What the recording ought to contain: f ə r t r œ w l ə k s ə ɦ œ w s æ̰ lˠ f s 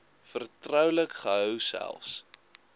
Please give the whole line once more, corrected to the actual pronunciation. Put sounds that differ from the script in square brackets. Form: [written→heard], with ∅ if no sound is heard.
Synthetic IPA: f ə r t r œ w l ə k [s→χ] ə ɦ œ w s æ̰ lˠ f s

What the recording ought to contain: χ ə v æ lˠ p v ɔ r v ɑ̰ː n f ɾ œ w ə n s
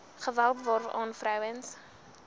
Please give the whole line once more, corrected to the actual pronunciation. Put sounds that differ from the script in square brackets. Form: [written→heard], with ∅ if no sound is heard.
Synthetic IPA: χ ə v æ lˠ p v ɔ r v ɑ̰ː n f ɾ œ w ə n s

